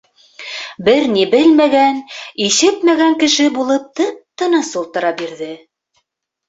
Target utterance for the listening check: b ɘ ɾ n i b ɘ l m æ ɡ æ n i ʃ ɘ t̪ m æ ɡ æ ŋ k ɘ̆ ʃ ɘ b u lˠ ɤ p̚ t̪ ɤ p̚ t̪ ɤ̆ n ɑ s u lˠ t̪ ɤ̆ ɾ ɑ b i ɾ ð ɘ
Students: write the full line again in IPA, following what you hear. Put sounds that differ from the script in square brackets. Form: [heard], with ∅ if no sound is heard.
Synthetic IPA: b ɘ ɾ n i b ɘ l m æ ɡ æ n i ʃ ɘ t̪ m æ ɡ æ ŋ k ɘ̆ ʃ ɘ b u lˠ ɤ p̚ t̪ ɤ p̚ t̪ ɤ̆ n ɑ s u lˠ t̪ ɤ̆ ɾ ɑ b i ɾ ð ɘ